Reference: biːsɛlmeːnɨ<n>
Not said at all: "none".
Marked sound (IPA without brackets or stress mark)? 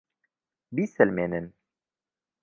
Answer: n